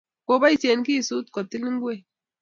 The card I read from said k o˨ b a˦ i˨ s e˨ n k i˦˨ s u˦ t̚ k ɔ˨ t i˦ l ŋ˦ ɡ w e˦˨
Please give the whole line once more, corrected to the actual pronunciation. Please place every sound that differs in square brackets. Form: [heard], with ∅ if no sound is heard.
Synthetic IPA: k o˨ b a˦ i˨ s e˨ n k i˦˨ s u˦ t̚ k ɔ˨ t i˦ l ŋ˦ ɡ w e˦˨